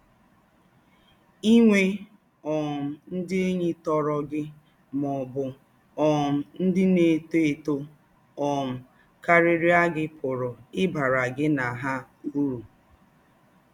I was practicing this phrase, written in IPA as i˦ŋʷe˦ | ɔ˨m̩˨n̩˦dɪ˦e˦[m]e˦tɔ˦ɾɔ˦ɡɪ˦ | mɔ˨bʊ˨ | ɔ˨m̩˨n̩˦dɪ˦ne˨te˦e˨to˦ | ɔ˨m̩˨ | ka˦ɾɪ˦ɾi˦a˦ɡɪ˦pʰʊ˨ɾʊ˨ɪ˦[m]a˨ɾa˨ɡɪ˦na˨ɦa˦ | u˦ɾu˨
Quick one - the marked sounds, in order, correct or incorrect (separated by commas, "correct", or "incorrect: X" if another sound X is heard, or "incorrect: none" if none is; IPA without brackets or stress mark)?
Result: incorrect: ɲ, incorrect: b